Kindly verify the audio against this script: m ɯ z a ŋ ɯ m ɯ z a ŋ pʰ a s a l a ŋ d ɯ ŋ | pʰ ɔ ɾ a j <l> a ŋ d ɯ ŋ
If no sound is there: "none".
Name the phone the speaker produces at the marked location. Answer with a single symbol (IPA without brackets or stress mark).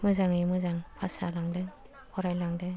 l